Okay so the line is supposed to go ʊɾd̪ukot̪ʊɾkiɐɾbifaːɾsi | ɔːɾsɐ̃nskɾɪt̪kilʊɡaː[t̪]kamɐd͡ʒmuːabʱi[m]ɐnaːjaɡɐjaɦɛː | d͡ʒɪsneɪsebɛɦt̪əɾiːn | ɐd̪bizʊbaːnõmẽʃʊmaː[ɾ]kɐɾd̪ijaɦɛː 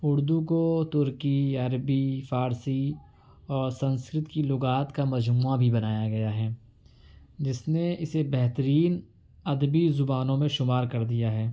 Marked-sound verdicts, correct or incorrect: correct, incorrect, correct

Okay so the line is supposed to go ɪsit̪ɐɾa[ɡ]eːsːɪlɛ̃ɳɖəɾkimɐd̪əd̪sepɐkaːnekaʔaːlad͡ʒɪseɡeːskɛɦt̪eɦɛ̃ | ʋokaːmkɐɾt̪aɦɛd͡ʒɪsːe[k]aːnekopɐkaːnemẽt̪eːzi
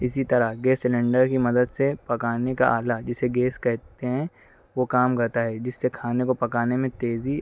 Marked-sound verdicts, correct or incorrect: correct, incorrect

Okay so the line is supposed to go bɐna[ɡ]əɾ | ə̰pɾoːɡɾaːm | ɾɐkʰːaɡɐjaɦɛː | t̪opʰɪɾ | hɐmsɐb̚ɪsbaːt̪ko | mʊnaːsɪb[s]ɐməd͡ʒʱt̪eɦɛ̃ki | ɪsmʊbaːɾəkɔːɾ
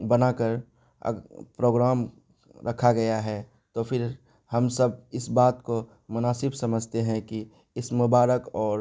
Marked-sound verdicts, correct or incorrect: incorrect, correct

